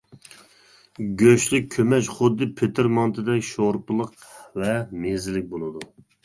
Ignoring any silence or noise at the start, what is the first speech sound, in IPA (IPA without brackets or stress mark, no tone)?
ɡʲ